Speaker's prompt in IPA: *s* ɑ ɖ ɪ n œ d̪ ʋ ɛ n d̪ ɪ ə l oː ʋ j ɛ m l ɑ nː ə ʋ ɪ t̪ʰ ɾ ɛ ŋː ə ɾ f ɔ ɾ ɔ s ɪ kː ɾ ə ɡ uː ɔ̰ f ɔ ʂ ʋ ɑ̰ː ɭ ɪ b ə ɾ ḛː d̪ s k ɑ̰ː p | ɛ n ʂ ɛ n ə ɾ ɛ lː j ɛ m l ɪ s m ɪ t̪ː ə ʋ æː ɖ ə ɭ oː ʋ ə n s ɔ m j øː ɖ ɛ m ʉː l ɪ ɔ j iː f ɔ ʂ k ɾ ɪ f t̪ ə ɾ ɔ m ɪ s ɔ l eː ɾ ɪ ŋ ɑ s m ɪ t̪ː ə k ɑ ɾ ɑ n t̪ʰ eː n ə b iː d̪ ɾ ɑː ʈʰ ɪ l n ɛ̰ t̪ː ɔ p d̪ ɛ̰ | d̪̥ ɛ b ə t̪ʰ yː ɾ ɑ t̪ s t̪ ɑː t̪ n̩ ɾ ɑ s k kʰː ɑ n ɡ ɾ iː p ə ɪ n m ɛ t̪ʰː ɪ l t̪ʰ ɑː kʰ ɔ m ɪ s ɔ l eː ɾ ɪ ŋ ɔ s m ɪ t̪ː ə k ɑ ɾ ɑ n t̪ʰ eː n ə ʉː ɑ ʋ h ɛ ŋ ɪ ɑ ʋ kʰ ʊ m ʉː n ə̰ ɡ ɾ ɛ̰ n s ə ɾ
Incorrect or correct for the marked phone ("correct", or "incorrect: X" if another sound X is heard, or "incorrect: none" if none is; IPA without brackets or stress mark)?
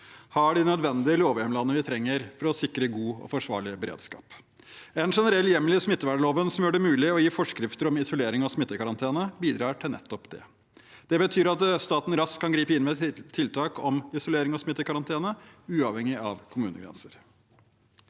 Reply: incorrect: h